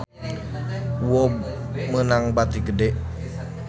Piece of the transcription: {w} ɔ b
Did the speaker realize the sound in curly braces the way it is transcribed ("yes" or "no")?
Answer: yes